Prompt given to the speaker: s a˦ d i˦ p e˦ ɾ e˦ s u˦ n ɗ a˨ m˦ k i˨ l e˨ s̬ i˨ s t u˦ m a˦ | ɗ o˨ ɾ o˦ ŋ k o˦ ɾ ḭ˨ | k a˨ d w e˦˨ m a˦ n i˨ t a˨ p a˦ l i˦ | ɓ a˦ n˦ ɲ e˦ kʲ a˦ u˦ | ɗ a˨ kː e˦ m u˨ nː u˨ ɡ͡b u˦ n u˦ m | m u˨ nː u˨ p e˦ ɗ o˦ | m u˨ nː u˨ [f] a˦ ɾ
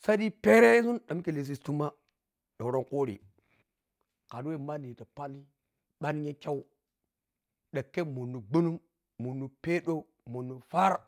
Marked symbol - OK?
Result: yes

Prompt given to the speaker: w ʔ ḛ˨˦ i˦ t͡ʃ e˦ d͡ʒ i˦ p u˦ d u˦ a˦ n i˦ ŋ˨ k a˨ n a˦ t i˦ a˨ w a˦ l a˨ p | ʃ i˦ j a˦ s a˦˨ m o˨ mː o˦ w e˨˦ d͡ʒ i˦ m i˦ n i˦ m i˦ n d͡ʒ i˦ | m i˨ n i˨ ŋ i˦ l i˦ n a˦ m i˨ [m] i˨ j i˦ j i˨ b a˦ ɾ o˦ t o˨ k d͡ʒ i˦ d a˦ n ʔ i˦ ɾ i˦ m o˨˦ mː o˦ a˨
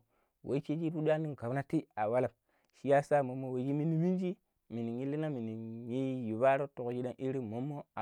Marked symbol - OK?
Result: no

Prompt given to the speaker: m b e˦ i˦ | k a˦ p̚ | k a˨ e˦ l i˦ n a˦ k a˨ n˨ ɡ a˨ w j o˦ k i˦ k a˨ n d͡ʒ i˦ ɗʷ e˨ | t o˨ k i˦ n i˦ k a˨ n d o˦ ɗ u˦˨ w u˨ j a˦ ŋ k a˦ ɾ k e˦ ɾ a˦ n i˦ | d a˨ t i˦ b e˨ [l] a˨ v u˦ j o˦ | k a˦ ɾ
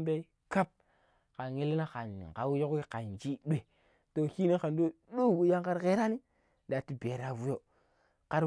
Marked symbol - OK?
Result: no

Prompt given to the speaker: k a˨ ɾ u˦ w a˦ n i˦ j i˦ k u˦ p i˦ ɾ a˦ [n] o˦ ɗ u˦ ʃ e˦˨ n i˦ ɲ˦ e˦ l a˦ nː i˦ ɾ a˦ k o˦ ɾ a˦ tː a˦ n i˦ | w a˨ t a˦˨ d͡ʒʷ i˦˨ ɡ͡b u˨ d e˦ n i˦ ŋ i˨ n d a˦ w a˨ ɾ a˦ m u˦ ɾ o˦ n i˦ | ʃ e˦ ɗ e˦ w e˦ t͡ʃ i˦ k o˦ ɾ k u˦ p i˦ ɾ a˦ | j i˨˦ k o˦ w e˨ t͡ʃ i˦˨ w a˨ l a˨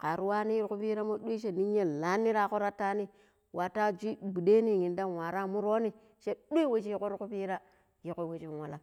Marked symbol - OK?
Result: no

